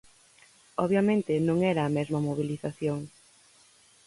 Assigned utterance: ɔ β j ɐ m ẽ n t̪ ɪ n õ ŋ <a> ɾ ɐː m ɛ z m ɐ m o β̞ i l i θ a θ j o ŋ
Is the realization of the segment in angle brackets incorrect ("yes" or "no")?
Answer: yes